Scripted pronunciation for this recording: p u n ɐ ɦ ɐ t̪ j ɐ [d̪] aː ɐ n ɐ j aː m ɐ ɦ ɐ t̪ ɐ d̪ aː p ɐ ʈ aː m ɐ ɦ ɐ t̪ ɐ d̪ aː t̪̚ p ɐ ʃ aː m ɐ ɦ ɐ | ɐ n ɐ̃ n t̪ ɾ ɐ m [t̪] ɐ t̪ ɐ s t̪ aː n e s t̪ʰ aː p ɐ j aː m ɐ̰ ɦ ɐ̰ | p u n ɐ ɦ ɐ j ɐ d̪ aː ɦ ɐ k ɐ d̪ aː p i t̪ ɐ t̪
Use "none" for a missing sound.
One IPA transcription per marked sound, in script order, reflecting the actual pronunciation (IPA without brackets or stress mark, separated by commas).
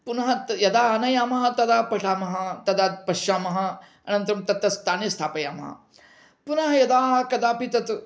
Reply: d̪, t̪